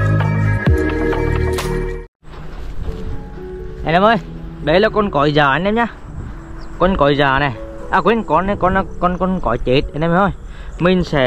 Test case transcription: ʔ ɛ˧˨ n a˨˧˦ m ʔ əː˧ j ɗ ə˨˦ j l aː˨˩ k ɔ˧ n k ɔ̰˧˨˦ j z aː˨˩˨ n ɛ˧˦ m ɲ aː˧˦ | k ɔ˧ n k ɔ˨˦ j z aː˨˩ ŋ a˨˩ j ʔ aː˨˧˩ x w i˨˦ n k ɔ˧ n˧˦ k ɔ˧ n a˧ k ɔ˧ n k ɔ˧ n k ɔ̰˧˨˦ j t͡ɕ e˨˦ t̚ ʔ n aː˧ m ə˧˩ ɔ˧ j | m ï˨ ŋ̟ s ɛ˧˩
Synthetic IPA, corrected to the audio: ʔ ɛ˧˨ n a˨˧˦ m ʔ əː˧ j ɗ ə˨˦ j l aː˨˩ k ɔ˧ n k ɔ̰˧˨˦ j z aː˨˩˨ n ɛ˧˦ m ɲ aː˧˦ | k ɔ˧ n k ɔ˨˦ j z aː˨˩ n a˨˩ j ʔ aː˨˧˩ k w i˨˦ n k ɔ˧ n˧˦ k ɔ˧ n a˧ k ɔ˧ n k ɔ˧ n k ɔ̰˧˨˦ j t͡ɕ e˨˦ t̚ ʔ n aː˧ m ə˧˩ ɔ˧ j | m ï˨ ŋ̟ s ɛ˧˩